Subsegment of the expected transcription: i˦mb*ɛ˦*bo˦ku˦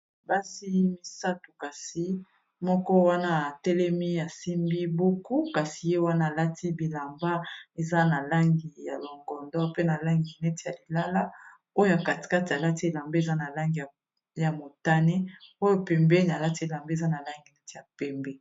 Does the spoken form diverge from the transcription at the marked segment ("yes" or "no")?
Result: yes